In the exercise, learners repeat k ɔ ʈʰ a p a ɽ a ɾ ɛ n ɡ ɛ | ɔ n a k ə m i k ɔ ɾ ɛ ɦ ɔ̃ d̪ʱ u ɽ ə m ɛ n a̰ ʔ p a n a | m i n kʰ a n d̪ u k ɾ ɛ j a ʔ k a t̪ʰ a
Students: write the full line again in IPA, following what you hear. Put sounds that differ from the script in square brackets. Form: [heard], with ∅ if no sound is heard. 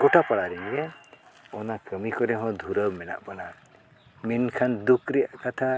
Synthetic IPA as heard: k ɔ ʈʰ a p a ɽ a ɾ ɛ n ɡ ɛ | ɔ n a k ə m i k ɔ ɾ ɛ ɦ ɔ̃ d̪ʱ u [ɾ] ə m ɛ n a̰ ʔ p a n a | m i n kʰ a n d̪ u k ɾ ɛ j a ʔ k a t̪ʰ a